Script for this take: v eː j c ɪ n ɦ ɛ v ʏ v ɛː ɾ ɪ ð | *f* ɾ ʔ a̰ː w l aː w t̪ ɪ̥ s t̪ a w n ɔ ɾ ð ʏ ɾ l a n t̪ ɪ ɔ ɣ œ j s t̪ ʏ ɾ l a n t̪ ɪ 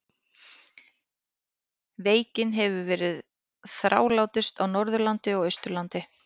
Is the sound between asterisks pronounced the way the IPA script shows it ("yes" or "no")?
no